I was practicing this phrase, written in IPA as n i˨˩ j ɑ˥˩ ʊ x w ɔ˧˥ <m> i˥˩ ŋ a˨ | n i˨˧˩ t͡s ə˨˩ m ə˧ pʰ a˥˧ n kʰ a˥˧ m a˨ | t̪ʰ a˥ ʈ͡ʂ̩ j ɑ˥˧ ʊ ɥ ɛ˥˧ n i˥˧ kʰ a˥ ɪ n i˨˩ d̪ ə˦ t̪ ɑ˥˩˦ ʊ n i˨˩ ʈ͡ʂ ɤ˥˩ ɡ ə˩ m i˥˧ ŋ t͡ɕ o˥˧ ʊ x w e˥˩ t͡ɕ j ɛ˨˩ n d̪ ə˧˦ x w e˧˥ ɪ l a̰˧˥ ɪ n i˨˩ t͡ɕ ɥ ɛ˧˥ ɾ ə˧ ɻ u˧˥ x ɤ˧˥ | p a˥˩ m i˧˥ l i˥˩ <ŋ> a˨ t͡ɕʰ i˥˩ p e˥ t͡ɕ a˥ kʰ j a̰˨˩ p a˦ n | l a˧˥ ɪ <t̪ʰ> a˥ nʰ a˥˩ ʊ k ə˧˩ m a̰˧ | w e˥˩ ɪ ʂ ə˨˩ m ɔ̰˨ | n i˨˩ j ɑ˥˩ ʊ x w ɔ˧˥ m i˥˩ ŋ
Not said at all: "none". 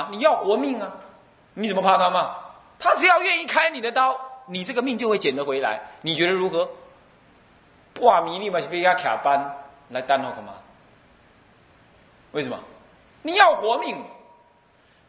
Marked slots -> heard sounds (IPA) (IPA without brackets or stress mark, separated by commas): m, m, t̪